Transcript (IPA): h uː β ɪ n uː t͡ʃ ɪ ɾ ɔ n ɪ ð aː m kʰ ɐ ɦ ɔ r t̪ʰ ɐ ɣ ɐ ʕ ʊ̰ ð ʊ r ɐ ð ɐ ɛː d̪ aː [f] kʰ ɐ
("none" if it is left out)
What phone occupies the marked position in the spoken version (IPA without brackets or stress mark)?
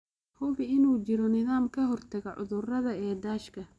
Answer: ʃ